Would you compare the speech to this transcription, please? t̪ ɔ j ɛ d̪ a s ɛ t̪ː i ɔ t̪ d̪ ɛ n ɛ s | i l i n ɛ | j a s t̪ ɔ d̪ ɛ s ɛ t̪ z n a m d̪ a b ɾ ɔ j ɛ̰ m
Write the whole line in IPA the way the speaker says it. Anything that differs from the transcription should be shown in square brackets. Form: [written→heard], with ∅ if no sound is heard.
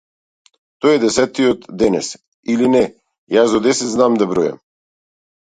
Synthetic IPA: t̪ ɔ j ɛ d̪ [a→ɛ] s ɛ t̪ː i ɔ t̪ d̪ ɛ n ɛ s | i l i n ɛ | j a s [t̪→d̪] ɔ d̪ ɛ s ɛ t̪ z n a m d̪ a b ɾ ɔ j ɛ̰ m